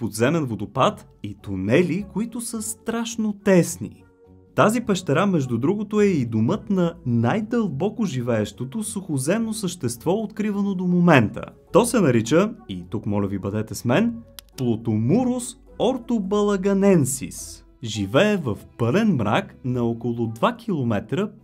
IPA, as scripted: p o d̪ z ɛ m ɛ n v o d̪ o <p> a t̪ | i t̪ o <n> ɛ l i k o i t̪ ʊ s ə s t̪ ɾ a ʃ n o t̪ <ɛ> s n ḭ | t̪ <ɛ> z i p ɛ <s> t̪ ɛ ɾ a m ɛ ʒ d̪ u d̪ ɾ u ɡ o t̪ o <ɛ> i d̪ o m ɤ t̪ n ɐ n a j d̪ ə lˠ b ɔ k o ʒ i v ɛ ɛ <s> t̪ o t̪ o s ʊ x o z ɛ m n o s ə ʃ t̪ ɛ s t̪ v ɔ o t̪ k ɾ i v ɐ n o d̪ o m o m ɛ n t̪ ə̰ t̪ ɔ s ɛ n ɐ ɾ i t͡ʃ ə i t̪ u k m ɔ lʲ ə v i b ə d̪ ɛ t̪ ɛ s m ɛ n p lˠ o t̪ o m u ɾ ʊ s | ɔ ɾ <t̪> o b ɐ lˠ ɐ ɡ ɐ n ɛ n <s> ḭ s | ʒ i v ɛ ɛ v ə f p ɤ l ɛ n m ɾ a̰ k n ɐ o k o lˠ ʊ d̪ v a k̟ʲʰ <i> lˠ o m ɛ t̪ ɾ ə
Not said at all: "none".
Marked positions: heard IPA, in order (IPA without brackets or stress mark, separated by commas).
p, n, ɛ, a, ʃ, ɛ, ʃ, t̪, s, i